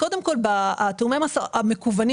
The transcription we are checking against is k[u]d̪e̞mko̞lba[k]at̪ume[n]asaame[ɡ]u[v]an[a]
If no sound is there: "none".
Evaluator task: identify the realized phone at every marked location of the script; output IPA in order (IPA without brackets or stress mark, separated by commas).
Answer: o, none, m, k, v, i